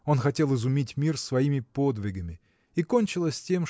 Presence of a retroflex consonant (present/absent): absent